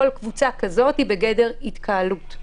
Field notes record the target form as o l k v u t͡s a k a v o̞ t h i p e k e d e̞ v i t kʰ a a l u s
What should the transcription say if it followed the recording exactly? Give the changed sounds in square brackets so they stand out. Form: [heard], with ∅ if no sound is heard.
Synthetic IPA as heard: o l k v u t͡s a k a [z] o̞ t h i [b] e [ɡ] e d e̞ [ʁ] i t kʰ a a l u [t]